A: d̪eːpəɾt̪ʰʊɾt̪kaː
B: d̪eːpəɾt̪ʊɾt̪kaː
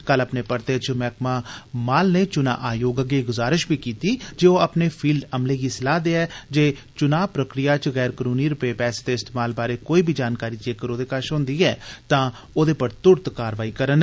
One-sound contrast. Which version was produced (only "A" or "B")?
B